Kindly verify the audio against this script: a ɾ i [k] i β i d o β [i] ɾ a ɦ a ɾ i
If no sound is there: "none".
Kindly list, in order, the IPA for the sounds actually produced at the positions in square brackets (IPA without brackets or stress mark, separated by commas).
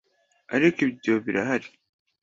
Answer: k, i